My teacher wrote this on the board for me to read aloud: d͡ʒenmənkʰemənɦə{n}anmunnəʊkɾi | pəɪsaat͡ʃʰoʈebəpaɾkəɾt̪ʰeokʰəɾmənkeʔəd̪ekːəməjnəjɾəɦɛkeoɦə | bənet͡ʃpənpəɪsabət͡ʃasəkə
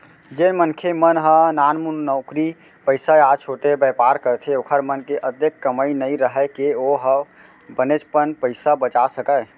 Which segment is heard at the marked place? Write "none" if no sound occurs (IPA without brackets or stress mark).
n